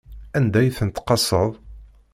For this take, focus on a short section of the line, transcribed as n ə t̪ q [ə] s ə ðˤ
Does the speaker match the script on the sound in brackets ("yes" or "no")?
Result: no